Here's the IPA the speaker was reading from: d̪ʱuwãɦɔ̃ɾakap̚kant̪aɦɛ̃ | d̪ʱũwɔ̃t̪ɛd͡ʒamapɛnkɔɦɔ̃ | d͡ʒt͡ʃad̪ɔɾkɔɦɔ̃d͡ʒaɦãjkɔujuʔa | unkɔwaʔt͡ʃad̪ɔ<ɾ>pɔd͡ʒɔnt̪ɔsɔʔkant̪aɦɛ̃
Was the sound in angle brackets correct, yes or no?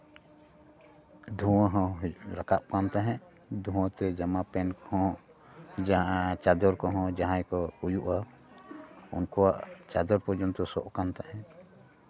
yes